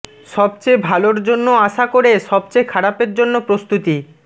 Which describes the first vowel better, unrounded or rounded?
rounded